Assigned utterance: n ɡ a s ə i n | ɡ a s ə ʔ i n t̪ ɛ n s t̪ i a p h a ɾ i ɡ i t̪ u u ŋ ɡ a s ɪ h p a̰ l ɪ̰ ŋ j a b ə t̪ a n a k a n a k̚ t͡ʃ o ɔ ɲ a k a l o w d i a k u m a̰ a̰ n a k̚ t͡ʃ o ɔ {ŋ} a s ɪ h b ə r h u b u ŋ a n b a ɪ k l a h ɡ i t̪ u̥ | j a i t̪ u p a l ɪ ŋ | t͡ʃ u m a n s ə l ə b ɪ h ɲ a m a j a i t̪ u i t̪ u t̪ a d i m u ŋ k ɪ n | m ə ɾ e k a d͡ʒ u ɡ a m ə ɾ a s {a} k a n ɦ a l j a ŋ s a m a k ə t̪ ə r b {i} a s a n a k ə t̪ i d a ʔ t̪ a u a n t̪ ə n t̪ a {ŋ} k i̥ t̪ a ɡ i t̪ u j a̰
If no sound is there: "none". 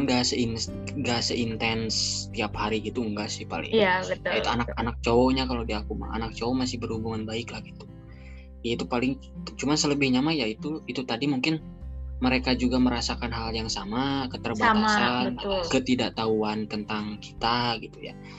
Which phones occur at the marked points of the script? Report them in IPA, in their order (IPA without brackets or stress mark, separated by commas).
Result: m, a, a, ŋ